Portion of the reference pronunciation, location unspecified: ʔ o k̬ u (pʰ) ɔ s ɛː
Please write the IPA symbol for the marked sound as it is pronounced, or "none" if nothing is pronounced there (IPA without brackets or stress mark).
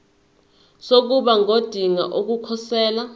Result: kʰ